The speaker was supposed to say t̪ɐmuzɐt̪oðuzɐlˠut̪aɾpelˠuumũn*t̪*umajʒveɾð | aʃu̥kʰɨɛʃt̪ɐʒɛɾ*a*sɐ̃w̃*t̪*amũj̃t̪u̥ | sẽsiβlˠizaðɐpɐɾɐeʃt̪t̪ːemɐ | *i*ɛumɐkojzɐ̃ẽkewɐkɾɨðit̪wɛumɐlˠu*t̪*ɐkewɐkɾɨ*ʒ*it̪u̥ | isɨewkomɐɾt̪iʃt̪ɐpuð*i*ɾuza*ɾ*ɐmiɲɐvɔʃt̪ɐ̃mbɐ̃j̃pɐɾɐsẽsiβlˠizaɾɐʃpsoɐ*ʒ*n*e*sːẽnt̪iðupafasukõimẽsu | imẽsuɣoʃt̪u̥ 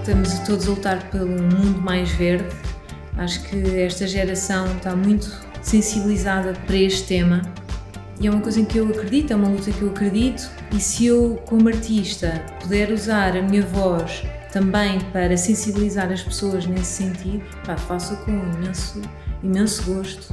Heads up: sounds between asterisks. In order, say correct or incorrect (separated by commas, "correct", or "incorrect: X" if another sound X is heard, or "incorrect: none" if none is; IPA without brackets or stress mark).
incorrect: d̪, incorrect: ɐ, correct, correct, correct, incorrect: ð, incorrect: ɛ, correct, correct, correct